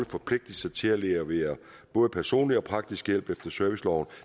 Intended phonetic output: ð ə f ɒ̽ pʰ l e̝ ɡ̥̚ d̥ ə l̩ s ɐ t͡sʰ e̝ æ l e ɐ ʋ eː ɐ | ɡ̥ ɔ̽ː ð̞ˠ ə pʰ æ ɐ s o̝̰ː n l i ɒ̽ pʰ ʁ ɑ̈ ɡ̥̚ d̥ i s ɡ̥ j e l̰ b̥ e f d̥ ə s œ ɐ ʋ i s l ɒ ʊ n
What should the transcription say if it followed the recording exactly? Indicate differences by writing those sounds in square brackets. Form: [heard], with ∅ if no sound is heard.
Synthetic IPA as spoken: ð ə f ɒ̽ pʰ l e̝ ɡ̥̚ d̥ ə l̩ s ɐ t͡sʰ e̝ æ l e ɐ ʋ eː ɐ | [b̥] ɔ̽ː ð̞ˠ ə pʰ æ ɐ s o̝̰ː n l i ɒ̽ pʰ ʁ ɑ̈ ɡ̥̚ d̥ i s ɡ̥ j e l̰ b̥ e f d̥ [ɐ] s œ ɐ ʋ i s l ɒ ʊ n